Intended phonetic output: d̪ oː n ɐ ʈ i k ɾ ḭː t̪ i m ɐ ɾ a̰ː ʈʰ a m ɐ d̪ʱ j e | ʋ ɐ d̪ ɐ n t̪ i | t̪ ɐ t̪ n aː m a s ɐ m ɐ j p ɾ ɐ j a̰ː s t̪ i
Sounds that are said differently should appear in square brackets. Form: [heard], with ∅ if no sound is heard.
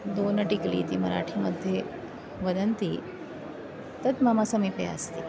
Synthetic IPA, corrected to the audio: d̪ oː n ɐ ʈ i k [l] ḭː t̪ i m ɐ ɾ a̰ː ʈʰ [i] m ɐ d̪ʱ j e | ʋ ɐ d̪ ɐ n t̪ i | t̪ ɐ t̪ [m] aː m a s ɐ m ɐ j p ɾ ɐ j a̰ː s t̪ i